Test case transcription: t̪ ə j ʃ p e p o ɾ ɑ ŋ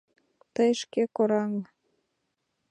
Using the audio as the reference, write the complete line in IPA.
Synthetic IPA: t̪ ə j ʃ k e k o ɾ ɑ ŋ